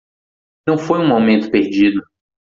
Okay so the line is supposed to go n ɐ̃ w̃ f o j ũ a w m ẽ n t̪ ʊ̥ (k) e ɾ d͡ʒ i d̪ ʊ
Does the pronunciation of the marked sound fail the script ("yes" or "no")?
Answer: yes